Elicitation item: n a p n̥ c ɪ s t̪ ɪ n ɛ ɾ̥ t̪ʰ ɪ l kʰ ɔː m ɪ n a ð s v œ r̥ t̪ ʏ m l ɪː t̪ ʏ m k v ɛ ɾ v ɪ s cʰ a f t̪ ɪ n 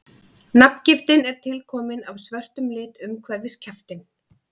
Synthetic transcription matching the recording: n a p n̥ c ɪ f t̪ ɪ n ɛ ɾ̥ t̪ʰ ɪ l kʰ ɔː m ɪ n a v s v œ r̥ t̪ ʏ m l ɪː t̪ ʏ m kʰ v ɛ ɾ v ɪ s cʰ a f t̪ ɪ n